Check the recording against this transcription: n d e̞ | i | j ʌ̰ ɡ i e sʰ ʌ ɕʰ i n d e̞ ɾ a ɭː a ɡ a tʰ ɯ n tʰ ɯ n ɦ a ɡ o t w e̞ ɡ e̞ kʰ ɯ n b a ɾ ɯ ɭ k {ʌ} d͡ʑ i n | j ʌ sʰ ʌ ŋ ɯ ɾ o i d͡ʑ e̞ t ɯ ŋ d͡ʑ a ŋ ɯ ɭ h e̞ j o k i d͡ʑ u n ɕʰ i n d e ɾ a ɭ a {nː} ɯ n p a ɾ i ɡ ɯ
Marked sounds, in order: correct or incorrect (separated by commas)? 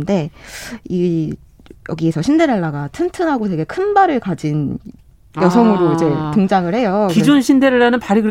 incorrect, incorrect